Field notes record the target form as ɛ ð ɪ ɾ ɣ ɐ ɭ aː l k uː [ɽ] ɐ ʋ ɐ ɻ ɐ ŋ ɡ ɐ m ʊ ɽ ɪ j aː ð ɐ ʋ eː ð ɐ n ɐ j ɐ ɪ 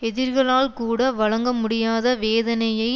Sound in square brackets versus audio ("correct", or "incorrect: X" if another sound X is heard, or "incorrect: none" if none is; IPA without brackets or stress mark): correct